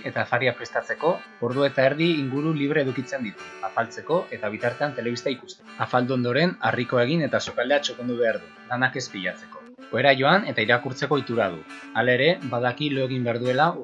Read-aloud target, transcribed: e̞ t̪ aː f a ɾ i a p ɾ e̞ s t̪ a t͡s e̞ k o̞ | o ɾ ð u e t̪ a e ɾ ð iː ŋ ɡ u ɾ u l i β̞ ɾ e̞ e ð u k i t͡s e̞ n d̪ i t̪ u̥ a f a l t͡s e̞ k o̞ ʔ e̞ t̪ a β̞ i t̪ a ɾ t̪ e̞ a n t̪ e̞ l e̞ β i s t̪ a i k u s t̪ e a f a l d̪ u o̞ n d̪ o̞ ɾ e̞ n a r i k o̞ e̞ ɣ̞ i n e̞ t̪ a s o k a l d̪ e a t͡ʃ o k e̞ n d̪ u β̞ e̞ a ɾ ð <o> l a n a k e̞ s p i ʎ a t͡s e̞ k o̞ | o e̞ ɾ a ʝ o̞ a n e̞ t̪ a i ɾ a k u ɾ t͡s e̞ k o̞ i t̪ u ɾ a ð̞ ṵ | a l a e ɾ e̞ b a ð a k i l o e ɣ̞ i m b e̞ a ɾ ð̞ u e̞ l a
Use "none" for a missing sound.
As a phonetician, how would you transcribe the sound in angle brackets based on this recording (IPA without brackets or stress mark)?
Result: u